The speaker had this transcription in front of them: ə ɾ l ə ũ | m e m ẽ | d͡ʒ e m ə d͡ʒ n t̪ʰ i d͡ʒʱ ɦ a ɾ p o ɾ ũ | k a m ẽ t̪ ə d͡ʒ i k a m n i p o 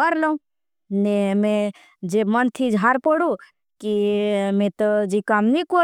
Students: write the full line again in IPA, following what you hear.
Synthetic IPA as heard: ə ɾ l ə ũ | n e m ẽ | d͡ʒ e m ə n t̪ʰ i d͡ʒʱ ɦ a ɾ p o ɽ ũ | k i m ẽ t̪ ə d͡ʒ i k a m n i k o